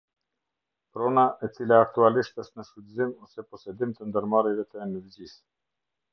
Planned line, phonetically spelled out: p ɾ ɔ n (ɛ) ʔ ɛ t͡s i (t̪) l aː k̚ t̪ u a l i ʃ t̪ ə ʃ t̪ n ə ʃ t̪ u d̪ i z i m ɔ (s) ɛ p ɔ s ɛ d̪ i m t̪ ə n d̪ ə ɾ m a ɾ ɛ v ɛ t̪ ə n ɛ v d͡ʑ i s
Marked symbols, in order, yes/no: no, no, yes

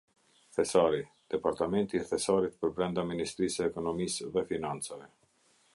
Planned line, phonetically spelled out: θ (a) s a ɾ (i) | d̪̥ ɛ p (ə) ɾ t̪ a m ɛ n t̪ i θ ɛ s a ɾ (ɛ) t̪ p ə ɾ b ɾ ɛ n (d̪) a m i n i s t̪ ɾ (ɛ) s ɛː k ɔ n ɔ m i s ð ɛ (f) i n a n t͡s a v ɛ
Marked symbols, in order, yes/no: no, yes, no, no, yes, no, yes

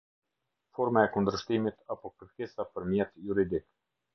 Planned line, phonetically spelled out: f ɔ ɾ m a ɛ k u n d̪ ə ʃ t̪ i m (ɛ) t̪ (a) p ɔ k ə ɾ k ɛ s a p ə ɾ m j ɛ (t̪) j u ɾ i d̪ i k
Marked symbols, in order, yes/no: no, yes, yes

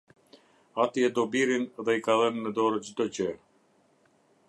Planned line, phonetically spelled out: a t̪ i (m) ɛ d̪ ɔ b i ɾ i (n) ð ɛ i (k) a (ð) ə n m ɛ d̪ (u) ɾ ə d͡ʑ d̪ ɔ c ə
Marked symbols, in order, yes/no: no, yes, yes, yes, no

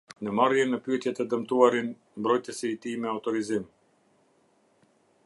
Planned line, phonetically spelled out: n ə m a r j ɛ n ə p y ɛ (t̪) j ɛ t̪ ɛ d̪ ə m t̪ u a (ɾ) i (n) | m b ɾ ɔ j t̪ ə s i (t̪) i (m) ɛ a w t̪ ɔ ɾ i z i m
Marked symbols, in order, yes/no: yes, yes, yes, yes, yes

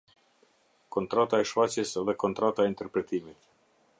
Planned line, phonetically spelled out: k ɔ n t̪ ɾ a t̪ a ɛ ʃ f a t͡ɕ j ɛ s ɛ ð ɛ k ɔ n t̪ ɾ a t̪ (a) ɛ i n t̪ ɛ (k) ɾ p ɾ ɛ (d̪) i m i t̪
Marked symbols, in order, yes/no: yes, no, no

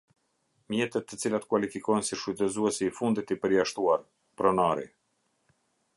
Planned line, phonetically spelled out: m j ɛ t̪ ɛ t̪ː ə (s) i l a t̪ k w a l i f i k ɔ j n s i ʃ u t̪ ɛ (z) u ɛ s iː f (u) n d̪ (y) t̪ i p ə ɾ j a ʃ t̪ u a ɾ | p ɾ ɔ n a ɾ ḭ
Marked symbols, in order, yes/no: no, yes, yes, no

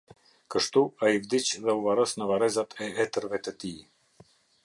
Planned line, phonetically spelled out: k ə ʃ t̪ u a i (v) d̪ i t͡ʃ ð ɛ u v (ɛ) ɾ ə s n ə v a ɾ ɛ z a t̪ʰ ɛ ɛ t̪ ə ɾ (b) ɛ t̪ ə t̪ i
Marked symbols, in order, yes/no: yes, no, no

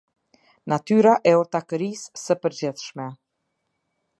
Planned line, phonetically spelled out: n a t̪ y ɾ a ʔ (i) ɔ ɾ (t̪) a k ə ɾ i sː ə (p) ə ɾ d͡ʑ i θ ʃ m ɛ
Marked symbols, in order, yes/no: no, yes, yes

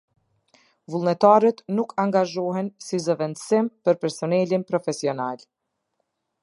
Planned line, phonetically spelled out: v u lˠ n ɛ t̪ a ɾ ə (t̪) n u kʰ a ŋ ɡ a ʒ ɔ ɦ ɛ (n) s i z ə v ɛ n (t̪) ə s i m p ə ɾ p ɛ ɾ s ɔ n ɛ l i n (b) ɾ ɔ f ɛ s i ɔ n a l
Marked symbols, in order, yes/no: yes, yes, no, no

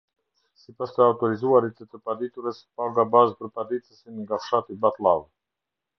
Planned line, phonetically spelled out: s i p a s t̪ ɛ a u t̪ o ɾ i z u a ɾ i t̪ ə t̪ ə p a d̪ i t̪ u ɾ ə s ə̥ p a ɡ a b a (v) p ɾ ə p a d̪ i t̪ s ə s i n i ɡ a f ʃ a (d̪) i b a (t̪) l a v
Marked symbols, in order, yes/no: no, no, yes

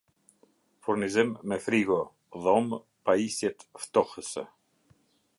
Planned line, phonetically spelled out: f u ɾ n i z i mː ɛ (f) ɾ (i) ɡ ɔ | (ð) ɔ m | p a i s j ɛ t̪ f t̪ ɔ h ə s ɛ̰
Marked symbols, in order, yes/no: yes, yes, yes

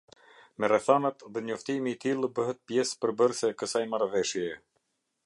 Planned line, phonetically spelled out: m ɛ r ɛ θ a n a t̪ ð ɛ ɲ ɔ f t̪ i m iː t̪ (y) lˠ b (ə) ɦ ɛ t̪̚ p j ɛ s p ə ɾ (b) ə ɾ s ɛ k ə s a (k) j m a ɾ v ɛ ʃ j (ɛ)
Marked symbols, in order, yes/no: no, yes, yes, no, yes

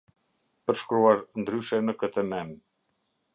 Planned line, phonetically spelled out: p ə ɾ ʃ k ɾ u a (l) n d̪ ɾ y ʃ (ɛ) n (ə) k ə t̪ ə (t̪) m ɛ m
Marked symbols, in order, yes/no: no, yes, yes, no

